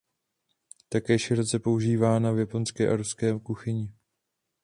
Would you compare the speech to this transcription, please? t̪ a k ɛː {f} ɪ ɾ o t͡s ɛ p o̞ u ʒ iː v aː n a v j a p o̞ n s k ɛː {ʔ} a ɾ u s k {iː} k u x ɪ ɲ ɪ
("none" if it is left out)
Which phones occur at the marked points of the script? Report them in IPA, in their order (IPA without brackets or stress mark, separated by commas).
ʃ, ʔ, ɛː